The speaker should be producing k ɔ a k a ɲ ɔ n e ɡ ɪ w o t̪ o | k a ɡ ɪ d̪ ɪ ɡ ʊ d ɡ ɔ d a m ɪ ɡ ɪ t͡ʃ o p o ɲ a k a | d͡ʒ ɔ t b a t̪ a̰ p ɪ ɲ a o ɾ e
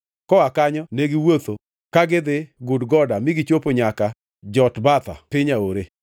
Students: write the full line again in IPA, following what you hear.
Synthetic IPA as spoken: k ɔ a k a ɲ ɔ n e ɡ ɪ w o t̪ o | k a ɡ ɪ d̪ ɪ ɡ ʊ d ɡ ɔ d a m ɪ ɡ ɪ t͡ʃ o p o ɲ a k a | d͡ʒ ɔ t b a t̪ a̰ p ɪ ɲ a o ɾ e